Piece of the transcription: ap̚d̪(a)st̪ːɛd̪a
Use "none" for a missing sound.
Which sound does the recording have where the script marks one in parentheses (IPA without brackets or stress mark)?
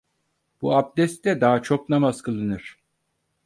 ɛ